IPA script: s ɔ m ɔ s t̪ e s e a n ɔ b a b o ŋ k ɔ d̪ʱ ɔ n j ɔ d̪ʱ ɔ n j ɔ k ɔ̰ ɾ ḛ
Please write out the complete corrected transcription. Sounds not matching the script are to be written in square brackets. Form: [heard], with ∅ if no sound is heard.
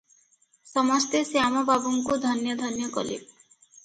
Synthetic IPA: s ɔ m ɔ s t̪ e s e a [m] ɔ b a b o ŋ k [u] d̪ʱ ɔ n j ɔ d̪ʱ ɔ n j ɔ k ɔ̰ [l] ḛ

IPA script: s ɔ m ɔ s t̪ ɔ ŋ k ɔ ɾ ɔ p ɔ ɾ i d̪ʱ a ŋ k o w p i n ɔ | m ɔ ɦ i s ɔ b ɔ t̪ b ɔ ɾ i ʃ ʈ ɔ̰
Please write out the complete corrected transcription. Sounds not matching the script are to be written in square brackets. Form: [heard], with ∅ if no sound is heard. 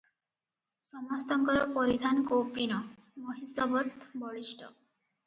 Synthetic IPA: s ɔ m ɔ s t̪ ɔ ŋ k ɔ ɾ ɔ p ɔ ɾ i d̪ʱ a [n] k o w p i n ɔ | m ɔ ɦ i s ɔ b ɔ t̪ b ɔ [ɭ] i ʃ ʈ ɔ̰

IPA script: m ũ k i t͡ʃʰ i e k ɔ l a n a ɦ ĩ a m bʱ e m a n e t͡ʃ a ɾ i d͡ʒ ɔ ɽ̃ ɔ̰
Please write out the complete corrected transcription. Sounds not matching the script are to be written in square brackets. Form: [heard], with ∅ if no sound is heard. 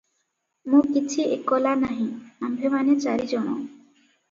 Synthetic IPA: m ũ k i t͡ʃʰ i e k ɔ l a n a ɦ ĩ a m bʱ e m a n e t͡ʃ a ɾ i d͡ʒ ɔ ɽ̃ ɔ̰

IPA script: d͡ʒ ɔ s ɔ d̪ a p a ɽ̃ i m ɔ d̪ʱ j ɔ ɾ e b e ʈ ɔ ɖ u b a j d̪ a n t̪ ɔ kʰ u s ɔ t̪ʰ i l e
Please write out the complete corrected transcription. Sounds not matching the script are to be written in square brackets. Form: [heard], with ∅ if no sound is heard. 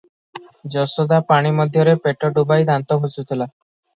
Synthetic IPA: d͡ʒ ɔ s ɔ d̪ a p a ɽ̃ i m ɔ d̪ʱ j ɔ ɾ e [p] e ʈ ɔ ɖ u b a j d̪ a n t̪ ɔ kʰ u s [u] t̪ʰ i l [a]

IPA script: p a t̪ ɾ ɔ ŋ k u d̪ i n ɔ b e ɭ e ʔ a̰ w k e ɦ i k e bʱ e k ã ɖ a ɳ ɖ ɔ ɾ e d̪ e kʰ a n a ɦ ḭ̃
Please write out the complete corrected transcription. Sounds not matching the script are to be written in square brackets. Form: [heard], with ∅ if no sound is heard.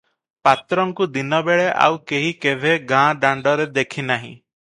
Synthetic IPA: p a t̪ ɾ ɔ ŋ k u d̪ i n ɔ b e ɭ e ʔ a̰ w k e ɦ i k e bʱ e [ɡ] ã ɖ a ɳ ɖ ɔ ɾ e d̪ e kʰ [i] n a ɦ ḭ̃

